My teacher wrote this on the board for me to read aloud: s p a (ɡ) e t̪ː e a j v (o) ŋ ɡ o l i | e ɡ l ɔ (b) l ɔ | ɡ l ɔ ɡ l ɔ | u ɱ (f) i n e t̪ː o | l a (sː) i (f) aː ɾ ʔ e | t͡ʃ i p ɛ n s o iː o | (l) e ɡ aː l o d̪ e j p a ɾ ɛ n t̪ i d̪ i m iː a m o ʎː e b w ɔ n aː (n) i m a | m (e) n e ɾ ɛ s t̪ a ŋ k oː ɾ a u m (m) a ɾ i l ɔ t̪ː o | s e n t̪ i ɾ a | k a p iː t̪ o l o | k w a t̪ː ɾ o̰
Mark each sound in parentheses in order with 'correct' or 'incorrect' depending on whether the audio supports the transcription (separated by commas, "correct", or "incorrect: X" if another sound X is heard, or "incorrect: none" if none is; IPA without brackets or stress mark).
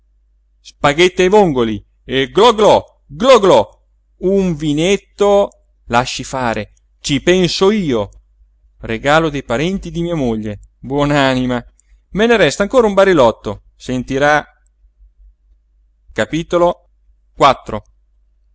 correct, correct, incorrect: ɡ, incorrect: v, incorrect: ʃː, correct, incorrect: r, correct, correct, incorrect: b